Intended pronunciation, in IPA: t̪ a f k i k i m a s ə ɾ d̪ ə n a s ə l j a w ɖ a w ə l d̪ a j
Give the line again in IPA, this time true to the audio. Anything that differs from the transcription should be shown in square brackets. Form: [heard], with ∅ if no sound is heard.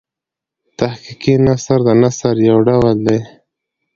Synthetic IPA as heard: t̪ a [h] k i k i [n] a s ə ɾ d̪ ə n a s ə [ɾ] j a w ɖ a w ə l d̪ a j